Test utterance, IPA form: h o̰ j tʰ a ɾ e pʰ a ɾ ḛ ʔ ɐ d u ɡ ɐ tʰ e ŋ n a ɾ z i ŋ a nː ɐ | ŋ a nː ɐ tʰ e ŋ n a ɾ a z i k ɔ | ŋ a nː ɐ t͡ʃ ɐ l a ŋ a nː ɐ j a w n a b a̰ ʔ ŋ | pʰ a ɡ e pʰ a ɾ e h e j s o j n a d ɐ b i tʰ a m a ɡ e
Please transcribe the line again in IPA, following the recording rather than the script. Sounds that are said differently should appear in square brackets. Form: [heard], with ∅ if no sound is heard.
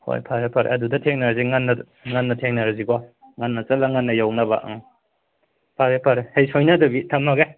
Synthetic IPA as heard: h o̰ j [pʰ] a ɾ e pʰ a ɾ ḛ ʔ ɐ d u [d] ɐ tʰ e ŋ n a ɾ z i ŋ a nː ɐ | ŋ a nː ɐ tʰ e ŋ n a ɾ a z i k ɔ | ŋ a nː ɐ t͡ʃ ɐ l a ŋ a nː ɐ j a w n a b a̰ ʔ ŋ | pʰ a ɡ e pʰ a ɾ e h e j s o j n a d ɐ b i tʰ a m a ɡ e